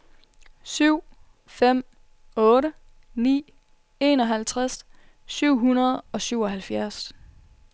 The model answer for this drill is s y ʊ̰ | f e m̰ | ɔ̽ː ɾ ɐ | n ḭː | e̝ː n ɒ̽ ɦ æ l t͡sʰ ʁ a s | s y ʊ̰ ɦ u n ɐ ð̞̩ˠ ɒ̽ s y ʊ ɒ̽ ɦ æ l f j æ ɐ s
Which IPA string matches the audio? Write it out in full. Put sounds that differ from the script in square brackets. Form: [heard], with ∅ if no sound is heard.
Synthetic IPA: s y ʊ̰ | f e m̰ | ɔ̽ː ɾ [ə] | n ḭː | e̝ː n ɒ̽ ɦ æ l t͡sʰ ʁ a s | s y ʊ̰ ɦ u n ɐ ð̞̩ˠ ɒ̽ s y ʊ ɒ̽ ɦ æ l f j æ ɐ s